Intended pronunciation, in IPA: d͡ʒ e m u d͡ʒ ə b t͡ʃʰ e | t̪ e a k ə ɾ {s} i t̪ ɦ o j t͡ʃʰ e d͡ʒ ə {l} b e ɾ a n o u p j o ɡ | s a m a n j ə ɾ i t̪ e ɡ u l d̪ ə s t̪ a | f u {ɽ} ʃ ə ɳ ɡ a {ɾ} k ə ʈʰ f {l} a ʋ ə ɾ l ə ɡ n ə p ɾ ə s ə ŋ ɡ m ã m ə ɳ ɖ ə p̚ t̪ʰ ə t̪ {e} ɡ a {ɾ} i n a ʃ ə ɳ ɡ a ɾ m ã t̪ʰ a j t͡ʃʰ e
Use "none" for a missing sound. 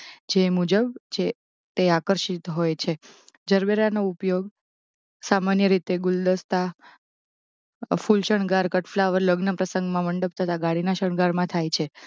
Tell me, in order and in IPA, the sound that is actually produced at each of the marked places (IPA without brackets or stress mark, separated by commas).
ʃ, ɾ, l, ɾ, l, a, ɽ